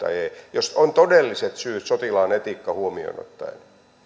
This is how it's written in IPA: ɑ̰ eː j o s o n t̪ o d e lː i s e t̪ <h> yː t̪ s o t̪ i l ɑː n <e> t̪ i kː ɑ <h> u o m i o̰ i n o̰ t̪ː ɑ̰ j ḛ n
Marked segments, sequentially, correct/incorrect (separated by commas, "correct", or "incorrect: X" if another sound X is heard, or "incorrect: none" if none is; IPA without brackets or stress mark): incorrect: s, correct, correct